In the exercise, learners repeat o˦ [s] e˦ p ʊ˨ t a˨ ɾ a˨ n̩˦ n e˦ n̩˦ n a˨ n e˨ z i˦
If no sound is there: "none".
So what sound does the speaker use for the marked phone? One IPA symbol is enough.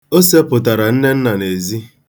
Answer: s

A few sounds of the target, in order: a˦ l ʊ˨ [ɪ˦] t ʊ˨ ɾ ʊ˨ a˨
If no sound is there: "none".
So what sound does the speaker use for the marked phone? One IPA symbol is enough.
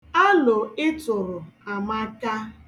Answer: ɪ˦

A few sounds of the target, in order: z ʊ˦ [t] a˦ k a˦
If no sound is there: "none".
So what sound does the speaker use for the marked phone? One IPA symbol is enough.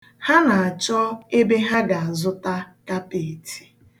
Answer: t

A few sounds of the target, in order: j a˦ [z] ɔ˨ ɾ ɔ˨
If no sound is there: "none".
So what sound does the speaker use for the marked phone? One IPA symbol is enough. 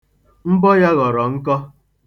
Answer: ɣ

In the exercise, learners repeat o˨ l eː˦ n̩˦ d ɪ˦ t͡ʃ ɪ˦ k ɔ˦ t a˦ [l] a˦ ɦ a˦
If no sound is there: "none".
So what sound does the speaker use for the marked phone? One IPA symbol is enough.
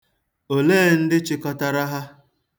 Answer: ɾ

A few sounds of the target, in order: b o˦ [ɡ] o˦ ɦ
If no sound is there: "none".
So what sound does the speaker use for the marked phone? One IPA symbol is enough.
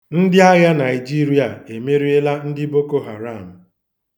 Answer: k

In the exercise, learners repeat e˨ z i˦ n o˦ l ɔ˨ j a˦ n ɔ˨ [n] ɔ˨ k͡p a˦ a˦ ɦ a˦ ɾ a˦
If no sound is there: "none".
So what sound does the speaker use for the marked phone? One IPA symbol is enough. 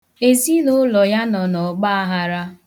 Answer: n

